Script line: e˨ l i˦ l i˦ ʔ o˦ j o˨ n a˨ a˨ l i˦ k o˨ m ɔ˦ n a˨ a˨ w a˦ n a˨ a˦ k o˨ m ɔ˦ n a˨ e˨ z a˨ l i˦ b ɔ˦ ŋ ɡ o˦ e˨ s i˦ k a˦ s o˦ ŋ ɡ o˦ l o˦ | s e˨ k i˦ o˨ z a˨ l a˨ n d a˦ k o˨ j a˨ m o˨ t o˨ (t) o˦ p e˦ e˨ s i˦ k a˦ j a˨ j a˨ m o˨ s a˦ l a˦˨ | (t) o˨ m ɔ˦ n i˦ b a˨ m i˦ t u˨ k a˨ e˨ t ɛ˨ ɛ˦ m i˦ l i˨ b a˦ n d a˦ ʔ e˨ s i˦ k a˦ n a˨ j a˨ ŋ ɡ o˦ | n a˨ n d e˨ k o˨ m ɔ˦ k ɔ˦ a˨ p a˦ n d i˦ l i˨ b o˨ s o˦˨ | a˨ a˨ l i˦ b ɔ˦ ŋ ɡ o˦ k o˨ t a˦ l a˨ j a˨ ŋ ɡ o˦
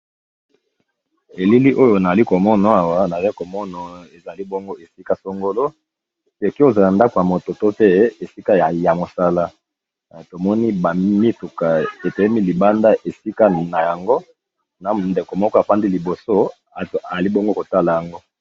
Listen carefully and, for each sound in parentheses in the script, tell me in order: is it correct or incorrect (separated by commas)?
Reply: correct, correct